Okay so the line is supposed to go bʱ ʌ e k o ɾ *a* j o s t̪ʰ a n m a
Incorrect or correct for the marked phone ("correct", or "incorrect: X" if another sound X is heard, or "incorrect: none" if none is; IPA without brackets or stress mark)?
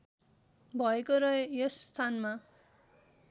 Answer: incorrect: ʌ